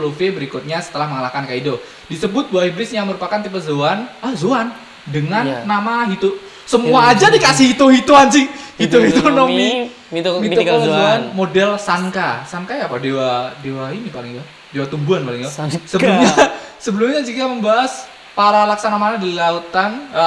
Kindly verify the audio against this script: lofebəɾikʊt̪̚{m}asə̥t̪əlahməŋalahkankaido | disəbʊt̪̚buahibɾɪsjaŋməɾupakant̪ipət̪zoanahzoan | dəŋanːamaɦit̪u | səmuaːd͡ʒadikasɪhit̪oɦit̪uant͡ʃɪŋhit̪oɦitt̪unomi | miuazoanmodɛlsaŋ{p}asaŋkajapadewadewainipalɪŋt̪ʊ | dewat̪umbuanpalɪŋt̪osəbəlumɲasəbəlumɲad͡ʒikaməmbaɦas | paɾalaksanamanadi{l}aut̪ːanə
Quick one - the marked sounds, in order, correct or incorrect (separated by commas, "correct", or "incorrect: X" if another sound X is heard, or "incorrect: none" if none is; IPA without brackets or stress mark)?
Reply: incorrect: ɲ, incorrect: k, correct